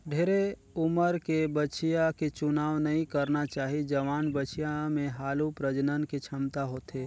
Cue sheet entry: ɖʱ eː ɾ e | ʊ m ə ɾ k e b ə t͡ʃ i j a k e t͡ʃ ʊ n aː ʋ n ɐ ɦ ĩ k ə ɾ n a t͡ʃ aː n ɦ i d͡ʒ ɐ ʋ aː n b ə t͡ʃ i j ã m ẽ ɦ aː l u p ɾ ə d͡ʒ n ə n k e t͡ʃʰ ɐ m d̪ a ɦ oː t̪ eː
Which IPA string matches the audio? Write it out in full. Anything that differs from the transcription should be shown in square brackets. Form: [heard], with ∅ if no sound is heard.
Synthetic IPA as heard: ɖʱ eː ɾ e | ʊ m ə ɾ k e b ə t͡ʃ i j a k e t͡ʃ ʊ n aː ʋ n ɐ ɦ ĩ k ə ɾ n a t͡ʃ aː [∅] ɦ i d͡ʒ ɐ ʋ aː n b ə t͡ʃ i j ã m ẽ ɦ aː l u p ɾ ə d͡ʒ n ə n k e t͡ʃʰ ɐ m [t̪] a ɦ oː t̪ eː